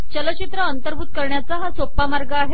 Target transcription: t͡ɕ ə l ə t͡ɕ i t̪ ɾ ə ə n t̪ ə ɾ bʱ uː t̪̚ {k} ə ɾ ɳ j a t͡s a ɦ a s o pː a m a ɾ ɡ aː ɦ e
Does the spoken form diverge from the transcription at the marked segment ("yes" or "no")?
no